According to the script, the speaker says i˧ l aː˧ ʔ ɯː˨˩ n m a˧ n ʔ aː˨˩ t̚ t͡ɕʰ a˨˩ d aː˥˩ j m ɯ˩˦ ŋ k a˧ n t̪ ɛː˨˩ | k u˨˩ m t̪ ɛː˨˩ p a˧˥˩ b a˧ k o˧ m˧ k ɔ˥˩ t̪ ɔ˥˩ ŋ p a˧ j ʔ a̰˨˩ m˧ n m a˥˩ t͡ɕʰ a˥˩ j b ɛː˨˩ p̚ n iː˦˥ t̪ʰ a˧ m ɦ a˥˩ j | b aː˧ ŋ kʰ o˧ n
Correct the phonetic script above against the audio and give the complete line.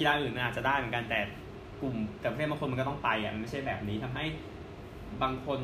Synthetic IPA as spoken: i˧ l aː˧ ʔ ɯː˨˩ n m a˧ n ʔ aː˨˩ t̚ t͡ɕ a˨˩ d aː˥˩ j m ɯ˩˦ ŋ k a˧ n t̪ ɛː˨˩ | k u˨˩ m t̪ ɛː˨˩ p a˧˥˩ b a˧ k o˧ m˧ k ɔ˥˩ t̪ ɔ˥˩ ŋ p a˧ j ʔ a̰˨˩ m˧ n m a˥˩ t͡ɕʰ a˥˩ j b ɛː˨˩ p̚ n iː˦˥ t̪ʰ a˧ m ɦ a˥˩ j | b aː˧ ŋ kʰ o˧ n